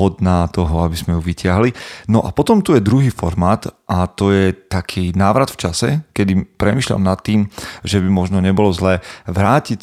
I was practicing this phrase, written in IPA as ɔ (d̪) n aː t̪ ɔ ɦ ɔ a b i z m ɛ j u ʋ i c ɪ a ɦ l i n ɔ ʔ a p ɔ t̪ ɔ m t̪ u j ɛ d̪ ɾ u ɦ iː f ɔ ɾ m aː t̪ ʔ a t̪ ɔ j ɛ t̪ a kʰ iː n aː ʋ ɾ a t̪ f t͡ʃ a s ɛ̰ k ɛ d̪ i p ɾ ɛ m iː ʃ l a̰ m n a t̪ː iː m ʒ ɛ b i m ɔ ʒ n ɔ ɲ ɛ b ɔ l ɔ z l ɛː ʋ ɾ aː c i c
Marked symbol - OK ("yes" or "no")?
yes